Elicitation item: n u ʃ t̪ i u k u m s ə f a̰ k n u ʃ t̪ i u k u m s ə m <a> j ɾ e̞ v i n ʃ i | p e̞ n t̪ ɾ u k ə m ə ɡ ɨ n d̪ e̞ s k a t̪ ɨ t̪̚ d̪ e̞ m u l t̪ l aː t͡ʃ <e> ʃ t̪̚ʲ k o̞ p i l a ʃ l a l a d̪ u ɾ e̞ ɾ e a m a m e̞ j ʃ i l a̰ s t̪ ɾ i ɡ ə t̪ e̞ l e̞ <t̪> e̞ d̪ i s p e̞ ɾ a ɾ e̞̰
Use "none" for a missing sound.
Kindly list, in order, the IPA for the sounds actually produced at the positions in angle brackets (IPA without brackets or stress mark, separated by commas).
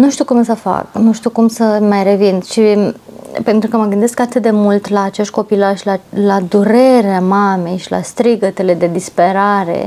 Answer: a, e, d̪